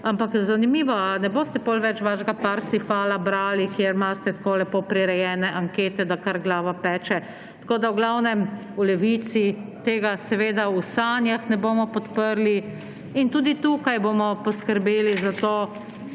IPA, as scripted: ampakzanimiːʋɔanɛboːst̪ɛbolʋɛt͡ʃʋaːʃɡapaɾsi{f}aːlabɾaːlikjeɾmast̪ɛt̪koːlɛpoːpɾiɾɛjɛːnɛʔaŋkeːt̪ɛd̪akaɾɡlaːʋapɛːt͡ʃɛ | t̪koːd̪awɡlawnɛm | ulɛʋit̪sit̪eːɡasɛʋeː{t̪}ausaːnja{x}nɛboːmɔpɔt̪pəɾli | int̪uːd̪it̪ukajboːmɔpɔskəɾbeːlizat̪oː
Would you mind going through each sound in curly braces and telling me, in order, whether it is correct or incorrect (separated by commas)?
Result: correct, incorrect, correct